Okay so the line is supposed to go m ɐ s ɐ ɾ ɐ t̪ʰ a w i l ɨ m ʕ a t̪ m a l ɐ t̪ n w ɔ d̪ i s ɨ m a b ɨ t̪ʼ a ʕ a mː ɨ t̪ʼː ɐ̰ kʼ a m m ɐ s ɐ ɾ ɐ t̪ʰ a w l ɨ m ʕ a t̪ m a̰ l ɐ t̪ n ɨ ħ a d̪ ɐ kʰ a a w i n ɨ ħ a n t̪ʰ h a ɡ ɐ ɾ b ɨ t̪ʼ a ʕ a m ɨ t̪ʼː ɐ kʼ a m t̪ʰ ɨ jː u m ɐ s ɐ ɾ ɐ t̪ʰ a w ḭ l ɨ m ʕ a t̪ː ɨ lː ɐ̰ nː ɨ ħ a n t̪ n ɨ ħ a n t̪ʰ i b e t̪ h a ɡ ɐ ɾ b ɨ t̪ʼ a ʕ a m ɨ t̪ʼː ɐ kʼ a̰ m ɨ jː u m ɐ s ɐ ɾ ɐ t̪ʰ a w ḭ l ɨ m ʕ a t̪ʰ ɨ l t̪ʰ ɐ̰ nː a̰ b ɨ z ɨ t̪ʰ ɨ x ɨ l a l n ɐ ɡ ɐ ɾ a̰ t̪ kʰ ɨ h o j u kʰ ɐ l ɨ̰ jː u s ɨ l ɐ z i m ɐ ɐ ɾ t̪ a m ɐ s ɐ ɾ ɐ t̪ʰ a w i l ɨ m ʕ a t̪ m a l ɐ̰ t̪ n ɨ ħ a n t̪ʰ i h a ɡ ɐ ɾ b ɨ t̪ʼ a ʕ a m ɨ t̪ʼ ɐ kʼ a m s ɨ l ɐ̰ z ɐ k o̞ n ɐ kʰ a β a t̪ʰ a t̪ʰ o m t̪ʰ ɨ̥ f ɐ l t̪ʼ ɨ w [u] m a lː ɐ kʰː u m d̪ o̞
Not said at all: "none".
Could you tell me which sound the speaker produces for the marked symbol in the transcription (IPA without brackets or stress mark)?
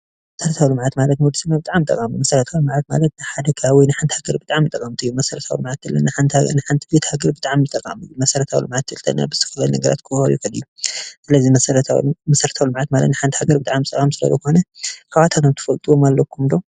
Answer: o